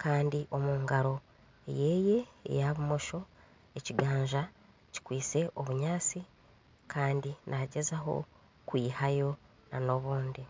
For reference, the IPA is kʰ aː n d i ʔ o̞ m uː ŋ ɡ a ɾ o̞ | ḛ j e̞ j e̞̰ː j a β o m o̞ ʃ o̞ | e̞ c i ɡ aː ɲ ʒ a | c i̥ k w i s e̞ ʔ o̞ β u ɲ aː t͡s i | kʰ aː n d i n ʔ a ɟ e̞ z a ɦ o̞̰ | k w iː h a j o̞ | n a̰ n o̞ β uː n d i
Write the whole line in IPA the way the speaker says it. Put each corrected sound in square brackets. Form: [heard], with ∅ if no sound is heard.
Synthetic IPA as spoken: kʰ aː n d i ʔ o̞ m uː ŋ ɡ a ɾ o̞ | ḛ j e̞ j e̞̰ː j a β [u] m o̞ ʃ o̞ | e̞ c i ɡ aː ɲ ʒ a | c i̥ k w [iː] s e̞ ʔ o̞ β u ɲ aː t͡s i | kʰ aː n d i n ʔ a ɟ e̞ z a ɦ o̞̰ | k w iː h a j o̞ | n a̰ n o̞ β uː n d i